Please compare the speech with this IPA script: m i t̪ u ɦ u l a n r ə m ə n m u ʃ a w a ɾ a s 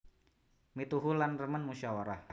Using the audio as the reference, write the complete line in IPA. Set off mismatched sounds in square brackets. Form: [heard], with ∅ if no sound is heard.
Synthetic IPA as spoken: m i t̪ u ɦ u l a n r ə m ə n m u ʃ a w a ɾ a [h]